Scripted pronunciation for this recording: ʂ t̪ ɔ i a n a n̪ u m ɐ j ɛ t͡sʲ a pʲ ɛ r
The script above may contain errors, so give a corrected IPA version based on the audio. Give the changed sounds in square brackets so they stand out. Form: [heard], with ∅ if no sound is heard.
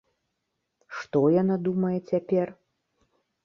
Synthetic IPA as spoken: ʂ t̪ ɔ [j] a n a [d̪] u m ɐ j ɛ t͡sʲ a pʲ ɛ r

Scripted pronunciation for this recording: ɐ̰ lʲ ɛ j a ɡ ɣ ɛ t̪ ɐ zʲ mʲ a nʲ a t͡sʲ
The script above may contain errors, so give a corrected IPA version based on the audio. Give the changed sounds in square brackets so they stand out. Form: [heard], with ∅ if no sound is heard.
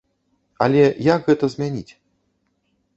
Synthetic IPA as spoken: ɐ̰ lʲ ɛ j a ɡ ɣ ɛ t̪ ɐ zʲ mʲ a nʲ [i] t͡sʲ

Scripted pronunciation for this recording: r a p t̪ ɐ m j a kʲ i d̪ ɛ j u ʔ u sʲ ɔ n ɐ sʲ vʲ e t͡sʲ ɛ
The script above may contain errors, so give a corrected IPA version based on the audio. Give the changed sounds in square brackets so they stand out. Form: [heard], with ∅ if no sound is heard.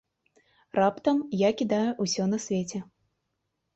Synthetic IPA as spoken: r a p t̪ ɐ m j a kʲ i d̪ [a] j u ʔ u sʲ ɔ n ɐ sʲ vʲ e t͡sʲ ɛ

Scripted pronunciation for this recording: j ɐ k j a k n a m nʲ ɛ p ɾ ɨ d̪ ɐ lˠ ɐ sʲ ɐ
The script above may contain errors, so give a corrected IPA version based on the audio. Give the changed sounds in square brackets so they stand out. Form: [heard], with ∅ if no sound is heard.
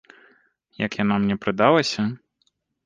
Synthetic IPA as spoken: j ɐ k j a [∅] n a m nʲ ɛ p ɾ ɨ d̪ [a] lˠ ɐ sʲ ɐ

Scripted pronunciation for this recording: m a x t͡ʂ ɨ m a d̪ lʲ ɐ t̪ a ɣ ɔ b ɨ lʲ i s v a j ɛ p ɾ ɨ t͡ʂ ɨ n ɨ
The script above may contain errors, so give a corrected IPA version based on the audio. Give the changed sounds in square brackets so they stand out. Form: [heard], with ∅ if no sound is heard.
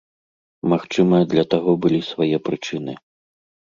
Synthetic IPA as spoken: m a x t͡ʂ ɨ m [ɐ] d̪ lʲ ɐ t̪ a ɣ ɔ b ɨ lʲ i s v a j ɛ p ɾ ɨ t͡ʂ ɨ n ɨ

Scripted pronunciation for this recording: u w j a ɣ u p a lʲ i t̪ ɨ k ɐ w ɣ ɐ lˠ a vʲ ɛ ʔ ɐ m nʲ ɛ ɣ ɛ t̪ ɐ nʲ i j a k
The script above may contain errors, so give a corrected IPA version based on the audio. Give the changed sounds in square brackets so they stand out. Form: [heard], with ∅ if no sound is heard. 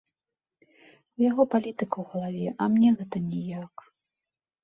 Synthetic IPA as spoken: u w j a ɣ [ɔ] p a lʲ i t̪ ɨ k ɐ w ɣ ɐ lˠ a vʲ ɛ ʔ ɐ m nʲ ɛ ɣ ɛ t̪ ɐ nʲ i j a k

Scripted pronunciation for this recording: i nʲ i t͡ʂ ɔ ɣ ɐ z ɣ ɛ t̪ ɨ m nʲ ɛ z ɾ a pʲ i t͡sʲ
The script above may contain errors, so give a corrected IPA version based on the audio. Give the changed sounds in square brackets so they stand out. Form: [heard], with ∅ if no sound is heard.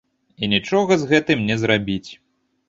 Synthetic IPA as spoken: i nʲ i t͡ʂ ɔ ɣ ɐ z ɣ ɛ t̪ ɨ m nʲ ɛ z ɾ a [bʲ] i t͡sʲ

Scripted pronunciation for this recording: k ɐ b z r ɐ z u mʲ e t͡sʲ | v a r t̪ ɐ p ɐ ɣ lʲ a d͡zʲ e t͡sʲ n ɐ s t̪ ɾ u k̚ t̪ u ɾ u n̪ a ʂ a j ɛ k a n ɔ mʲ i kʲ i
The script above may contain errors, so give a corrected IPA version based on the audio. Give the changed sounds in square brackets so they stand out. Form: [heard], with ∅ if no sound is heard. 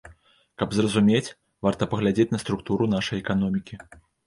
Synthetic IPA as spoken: k ɐ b z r ɐ z u mʲ e t͡sʲ | v a r t̪ ɐ p ɐ ɣ lʲ a d͡zʲ e t͡sʲ n ɐ s t̪ ɾ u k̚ t̪ u ɾ u n̪ a ʂ [ɐ] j ɛ k a n ɔ mʲ i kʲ i

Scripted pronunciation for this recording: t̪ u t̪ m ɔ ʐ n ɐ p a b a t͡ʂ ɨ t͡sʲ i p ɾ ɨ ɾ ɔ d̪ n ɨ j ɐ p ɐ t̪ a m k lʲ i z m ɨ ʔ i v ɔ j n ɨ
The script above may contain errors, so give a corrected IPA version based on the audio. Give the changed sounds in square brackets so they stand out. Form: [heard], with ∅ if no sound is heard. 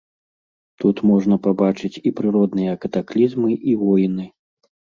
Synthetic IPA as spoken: t̪ u t̪ m ɔ ʐ n ɐ p a b a t͡ʂ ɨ t͡sʲ i p ɾ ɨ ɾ ɔ d̪ n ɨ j ɐ [k] ɐ t̪ a [∅] k lʲ i z m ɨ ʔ i v ɔ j n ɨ

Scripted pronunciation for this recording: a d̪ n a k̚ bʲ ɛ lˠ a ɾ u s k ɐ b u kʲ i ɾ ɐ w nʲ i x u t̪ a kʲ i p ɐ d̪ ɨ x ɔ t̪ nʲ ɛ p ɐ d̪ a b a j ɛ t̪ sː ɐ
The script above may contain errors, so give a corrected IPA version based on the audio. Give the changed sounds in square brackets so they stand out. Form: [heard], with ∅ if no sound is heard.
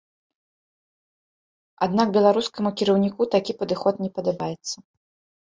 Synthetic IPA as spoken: a d̪ n a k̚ bʲ ɛ lˠ a ɾ u s k ɐ [m] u kʲ i ɾ ɐ w nʲ i [k] u t̪ a kʲ i p ɐ d̪ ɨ x ɔ t̪ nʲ ɛ p ɐ d̪ a b a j ɛ t̪ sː ɐ

